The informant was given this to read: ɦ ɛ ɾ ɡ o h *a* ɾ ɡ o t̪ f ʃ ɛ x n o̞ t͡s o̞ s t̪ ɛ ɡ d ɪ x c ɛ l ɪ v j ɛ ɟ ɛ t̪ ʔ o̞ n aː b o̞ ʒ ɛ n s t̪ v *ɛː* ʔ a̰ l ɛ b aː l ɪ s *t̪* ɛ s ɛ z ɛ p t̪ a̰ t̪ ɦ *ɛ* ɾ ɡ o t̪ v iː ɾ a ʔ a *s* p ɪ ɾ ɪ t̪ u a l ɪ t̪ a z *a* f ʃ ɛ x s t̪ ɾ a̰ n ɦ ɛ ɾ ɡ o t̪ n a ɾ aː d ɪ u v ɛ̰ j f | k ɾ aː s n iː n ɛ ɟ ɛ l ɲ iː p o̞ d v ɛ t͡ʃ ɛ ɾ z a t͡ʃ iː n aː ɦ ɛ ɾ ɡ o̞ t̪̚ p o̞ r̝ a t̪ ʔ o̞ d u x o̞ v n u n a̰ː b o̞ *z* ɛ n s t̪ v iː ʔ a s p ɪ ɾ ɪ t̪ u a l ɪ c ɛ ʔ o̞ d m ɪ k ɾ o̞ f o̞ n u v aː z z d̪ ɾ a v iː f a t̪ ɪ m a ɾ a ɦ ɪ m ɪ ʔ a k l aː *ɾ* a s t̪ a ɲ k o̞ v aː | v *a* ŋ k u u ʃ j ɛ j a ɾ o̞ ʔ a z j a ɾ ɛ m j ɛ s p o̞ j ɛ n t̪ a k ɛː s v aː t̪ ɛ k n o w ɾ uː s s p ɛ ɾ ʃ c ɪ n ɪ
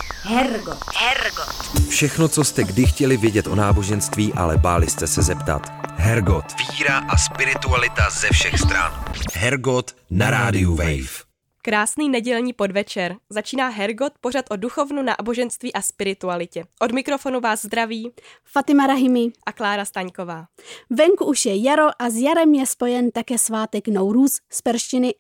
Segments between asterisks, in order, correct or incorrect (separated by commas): incorrect, incorrect, correct, correct, correct, incorrect, incorrect, correct, incorrect